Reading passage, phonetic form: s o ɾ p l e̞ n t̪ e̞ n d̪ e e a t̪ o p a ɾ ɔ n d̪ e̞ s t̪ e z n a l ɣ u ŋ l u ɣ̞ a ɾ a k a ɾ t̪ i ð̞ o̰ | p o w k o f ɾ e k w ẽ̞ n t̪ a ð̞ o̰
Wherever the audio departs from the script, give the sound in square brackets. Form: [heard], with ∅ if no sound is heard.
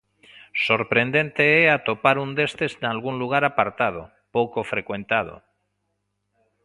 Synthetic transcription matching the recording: s o ɾ p [ɾ] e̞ n [d̪] e̞ n [t̪] e e a t̪ o p a ɾ [u] n d̪ e̞ s t̪ e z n a l ɣ u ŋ l u ɣ̞ a ɾ a [p] a ɾ t̪ [a] ð̞ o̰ | p o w k o f ɾ e k w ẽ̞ n t̪ a ð̞ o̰